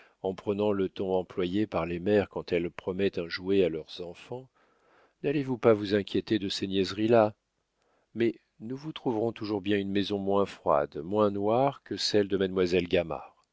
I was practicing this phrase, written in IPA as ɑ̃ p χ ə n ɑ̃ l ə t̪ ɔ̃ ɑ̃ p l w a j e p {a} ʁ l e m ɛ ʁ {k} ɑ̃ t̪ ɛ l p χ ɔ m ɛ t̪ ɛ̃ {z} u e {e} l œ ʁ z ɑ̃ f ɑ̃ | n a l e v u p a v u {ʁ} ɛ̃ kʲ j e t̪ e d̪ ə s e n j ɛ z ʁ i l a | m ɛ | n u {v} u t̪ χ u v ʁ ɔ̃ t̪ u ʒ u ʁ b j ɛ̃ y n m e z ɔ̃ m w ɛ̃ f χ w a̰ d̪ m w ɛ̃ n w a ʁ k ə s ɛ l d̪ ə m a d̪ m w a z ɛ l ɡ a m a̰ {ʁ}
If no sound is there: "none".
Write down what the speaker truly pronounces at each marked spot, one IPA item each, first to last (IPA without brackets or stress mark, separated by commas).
a, k, ʒ, a, z, v, ʁ